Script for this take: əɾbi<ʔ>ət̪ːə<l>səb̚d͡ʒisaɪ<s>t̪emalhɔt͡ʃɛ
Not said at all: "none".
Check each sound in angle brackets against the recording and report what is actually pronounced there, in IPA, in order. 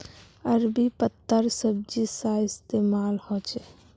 p, ɾ, s

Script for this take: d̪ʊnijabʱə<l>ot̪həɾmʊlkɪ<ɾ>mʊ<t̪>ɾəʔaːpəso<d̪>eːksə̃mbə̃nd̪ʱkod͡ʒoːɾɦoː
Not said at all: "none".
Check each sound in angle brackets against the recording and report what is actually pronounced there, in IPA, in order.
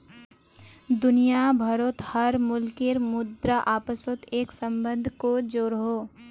ɾ, ɾ, d̪, t̪

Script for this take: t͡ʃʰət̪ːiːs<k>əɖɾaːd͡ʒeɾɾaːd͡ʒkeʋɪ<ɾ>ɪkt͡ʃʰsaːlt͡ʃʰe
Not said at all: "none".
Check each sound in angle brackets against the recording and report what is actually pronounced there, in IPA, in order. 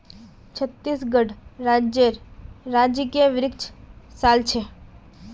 ɡ, ɾ

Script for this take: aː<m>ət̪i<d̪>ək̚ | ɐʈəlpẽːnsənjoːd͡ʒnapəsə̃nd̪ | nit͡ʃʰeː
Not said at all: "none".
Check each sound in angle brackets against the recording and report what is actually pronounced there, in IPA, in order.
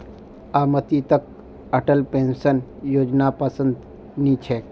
m, t̪

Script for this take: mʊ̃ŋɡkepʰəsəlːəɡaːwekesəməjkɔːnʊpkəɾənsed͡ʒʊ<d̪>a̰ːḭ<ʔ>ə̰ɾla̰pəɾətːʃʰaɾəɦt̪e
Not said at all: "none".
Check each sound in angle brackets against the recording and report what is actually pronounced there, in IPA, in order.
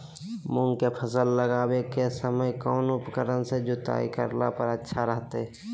t̪, k

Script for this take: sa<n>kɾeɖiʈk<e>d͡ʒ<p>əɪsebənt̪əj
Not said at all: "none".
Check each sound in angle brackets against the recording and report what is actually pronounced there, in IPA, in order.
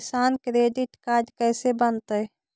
n, a, k

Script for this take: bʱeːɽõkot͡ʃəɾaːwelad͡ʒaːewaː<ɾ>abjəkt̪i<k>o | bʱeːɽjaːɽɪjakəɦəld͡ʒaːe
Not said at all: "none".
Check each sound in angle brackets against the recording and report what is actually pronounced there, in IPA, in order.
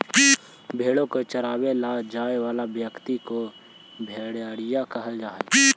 l, k

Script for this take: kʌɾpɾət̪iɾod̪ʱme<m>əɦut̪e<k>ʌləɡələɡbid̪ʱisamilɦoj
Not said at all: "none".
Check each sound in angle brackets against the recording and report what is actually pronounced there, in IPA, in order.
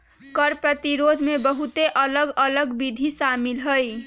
b, ʔ

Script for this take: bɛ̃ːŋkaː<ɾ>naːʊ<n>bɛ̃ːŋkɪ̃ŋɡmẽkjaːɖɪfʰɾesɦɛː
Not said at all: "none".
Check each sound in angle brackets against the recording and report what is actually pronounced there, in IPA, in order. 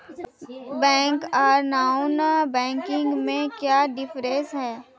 ɾ, n

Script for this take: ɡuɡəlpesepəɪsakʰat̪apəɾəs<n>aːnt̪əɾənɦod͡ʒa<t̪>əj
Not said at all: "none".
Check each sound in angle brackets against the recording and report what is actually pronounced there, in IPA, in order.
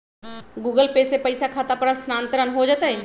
n, t̪

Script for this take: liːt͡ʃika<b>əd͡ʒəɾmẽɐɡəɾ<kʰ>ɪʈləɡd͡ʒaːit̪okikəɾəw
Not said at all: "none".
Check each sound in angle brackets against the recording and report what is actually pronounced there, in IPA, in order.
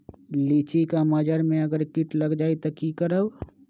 m, k

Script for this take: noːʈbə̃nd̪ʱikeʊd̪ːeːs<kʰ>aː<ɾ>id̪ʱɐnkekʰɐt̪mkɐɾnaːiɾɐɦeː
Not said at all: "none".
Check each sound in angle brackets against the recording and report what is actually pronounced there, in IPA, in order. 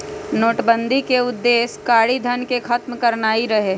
k, ɽ

